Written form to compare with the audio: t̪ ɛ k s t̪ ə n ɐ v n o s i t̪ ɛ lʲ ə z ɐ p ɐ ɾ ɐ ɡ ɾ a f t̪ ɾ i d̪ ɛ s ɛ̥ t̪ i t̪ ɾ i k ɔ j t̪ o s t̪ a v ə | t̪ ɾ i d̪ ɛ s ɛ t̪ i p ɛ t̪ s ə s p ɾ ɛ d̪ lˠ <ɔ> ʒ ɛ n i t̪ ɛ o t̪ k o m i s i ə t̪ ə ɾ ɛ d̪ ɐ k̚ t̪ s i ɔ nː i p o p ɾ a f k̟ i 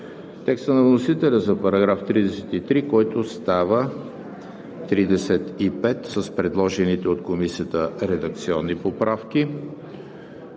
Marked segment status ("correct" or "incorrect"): correct